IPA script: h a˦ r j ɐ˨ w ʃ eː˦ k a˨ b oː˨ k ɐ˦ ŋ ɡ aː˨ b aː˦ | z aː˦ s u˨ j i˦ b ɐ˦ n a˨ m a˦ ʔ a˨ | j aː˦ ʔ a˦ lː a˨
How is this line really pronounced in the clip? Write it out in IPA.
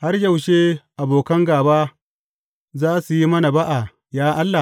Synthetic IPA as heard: h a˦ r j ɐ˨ w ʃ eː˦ ʔ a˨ b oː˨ k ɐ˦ ŋ ɡ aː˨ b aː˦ | z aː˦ s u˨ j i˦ m ɐ˦ n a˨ b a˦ ʔ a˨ | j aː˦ ʔ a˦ lː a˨